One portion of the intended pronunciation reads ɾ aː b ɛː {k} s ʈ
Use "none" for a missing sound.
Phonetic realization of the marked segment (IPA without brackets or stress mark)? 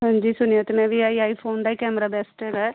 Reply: none